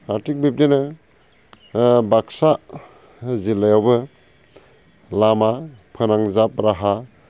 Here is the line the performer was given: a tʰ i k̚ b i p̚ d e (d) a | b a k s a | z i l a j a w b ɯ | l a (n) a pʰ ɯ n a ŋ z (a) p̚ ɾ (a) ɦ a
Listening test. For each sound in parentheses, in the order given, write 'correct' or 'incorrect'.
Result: incorrect: n, incorrect: m, correct, correct

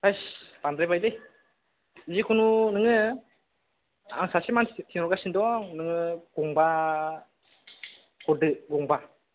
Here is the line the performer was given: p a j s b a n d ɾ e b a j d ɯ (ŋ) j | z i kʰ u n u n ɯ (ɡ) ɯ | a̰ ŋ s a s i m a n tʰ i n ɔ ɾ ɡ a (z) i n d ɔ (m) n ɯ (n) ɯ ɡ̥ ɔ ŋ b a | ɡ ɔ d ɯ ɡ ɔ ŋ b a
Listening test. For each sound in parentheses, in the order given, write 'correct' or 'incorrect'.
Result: incorrect: none, incorrect: ŋ, incorrect: s, incorrect: ŋ, incorrect: ŋ

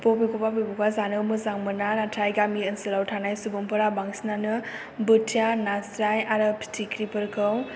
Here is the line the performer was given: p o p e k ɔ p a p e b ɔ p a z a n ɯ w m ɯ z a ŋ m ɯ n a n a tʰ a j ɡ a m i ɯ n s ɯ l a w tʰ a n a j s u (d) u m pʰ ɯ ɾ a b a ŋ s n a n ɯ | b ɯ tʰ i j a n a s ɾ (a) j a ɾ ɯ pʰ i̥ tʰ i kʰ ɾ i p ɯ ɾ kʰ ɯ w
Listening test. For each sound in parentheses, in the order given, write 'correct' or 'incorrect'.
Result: incorrect: b, correct

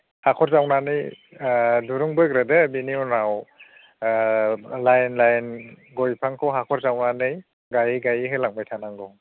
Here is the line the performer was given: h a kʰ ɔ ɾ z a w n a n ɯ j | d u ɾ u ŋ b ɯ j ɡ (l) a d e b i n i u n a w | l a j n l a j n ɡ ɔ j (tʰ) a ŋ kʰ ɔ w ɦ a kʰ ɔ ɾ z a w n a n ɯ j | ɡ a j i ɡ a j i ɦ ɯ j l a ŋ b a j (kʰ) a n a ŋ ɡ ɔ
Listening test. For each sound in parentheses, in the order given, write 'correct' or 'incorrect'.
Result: incorrect: ɾ, incorrect: pʰ, incorrect: tʰ

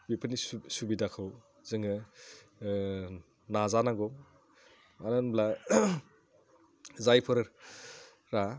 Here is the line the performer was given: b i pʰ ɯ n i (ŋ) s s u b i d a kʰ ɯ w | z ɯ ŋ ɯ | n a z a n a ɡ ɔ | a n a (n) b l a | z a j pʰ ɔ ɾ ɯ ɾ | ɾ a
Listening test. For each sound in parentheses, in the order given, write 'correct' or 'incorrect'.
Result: incorrect: none, correct

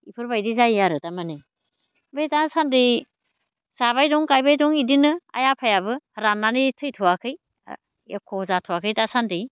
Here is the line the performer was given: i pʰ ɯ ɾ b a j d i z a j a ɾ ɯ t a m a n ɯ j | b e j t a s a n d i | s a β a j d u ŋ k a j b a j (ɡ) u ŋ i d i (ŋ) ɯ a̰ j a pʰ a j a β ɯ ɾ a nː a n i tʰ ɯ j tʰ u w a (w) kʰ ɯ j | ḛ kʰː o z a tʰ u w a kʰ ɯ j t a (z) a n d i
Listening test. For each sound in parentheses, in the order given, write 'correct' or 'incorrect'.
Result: incorrect: d, incorrect: n, incorrect: none, incorrect: s

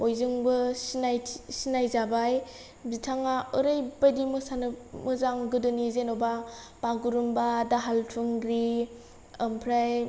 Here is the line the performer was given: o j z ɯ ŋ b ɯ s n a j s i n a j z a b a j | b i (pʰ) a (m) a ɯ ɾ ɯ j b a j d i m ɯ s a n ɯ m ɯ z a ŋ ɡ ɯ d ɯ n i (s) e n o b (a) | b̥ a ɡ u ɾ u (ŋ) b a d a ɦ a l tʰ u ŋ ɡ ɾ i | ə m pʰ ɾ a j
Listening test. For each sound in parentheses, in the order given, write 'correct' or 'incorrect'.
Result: incorrect: tʰ, incorrect: ŋ, incorrect: z, correct, incorrect: m

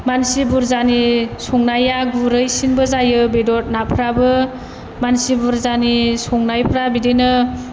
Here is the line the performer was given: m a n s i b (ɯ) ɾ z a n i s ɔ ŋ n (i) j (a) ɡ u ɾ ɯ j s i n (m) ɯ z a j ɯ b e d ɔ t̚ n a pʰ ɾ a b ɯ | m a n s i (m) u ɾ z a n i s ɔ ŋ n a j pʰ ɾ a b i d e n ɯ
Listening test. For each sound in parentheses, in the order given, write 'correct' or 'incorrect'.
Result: incorrect: u, incorrect: a, correct, incorrect: b, incorrect: b

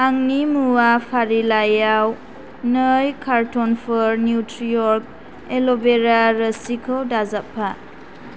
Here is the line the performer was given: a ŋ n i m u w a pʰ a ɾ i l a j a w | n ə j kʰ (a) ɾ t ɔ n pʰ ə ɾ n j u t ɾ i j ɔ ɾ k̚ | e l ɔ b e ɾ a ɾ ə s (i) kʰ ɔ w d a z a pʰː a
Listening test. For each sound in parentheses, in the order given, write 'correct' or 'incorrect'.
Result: correct, correct

